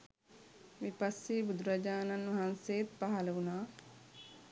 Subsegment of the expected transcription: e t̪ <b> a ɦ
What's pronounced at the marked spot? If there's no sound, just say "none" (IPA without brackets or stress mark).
p